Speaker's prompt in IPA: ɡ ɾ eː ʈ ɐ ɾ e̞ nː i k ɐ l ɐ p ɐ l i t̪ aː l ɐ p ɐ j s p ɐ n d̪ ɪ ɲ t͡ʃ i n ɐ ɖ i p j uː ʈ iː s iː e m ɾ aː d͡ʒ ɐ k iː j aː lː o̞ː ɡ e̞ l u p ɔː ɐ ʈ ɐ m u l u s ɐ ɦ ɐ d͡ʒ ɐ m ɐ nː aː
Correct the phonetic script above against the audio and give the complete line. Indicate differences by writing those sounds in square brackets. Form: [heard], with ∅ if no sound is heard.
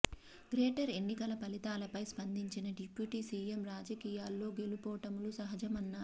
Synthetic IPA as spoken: ɡ ɾ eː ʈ ɐ ɾ e̞ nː i k ɐ l ɐ p ɐ l i t̪ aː l ɐ p ɐ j s p ɐ n d̪ [i] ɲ t͡ʃ i n ɐ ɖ i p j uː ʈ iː s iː e m ɾ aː d͡ʒ ɐ k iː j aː lː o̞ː ɡ e̞ l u p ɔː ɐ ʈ ɐ m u l u s ɐ ɦ ɐ d͡ʒ ɐ m ɐ nː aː